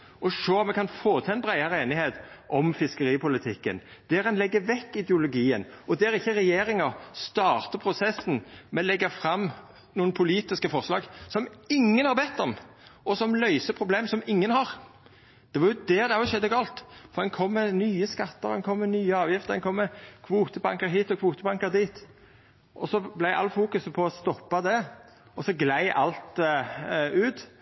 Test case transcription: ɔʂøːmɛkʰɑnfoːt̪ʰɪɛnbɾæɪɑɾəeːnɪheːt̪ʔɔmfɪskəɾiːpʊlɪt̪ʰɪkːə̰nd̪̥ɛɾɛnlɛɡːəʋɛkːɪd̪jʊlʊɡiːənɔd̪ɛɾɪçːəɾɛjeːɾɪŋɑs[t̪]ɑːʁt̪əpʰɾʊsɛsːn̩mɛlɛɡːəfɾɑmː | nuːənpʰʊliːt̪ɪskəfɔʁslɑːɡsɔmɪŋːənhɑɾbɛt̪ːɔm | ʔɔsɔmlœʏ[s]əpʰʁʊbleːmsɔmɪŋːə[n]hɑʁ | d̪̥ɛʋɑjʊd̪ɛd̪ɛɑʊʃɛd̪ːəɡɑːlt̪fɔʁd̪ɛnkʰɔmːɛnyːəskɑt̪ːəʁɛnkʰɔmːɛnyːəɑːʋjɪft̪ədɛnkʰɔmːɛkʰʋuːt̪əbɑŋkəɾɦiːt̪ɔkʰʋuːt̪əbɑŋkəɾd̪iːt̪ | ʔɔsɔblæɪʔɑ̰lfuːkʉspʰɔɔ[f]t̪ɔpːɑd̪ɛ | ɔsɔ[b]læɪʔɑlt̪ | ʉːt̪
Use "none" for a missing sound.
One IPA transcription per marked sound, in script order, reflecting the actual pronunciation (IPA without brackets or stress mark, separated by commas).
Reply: t̪, s, n, s, ɡ